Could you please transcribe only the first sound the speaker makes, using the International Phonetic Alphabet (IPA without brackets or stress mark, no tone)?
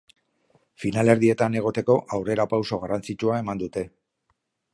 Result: f